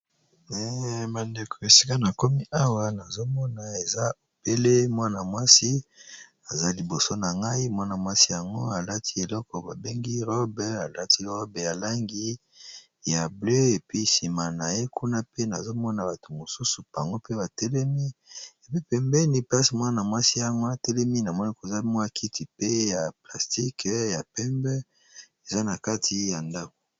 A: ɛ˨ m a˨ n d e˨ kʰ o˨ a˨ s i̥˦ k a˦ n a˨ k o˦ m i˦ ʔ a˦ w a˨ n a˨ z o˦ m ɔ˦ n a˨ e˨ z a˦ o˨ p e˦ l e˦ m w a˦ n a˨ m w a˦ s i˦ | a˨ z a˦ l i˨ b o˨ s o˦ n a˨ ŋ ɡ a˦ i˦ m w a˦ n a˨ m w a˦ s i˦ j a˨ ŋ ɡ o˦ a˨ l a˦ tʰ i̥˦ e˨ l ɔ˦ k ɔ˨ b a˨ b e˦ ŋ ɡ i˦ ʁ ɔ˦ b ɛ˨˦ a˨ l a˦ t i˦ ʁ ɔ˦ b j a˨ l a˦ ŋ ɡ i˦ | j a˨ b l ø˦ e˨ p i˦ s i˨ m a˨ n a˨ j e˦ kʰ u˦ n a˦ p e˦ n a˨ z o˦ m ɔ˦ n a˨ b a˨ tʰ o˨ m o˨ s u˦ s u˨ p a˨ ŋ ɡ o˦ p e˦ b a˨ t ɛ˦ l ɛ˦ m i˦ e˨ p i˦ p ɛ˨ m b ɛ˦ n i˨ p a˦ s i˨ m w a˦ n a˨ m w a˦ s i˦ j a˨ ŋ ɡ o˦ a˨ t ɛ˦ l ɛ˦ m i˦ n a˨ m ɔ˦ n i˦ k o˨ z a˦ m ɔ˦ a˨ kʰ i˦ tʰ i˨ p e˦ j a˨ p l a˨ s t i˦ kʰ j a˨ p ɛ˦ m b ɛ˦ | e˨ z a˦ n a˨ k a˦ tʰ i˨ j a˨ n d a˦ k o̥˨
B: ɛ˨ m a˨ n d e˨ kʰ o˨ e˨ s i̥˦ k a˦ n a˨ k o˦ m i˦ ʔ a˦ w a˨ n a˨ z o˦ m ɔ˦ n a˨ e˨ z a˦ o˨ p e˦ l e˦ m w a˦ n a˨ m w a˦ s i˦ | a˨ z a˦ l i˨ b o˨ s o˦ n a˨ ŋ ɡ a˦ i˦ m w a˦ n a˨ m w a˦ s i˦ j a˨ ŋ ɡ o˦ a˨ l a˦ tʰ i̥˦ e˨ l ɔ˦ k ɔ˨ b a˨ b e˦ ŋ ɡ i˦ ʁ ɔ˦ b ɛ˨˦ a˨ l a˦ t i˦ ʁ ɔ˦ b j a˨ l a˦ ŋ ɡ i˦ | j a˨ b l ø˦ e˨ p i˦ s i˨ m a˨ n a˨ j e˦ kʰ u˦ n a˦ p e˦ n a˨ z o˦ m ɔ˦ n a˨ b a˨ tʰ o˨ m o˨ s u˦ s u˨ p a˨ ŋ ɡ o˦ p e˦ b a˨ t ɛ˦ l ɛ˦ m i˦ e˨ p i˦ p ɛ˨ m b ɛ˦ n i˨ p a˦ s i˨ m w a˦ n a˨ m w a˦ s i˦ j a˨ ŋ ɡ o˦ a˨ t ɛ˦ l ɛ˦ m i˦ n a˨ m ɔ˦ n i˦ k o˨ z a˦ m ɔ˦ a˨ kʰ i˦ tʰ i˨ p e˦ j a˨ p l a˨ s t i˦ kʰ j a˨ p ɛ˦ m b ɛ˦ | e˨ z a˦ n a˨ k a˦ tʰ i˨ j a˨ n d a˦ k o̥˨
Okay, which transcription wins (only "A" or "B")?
B